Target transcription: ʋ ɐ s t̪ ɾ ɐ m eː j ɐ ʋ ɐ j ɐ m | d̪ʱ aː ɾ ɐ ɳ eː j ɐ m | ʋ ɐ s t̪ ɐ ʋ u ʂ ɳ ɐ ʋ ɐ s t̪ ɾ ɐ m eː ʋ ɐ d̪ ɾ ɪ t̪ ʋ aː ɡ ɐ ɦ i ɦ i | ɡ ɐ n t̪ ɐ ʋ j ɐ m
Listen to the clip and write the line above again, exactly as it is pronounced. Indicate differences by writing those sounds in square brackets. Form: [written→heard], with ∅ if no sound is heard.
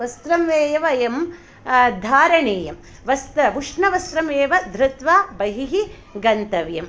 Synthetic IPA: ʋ ɐ s t̪ ɾ ɐ m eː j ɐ ʋ ɐ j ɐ m | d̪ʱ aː ɾ ɐ ɳ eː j ɐ m | ʋ ɐ s t̪ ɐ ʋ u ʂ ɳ ɐ ʋ ɐ s t̪ ɾ ɐ m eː ʋ ɐ d̪ ɾ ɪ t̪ ʋ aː [ɡ→b] ɐ ɦ i ɦ i | ɡ ɐ n t̪ ɐ ʋ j ɐ m